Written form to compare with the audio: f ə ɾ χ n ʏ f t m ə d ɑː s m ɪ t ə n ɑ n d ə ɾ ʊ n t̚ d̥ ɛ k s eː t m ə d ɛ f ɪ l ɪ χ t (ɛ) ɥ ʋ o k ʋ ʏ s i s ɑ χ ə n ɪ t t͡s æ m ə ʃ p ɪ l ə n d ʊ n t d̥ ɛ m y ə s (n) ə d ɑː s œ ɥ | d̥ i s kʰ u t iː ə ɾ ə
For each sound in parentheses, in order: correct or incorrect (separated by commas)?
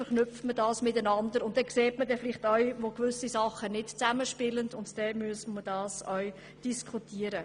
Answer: incorrect, incorrect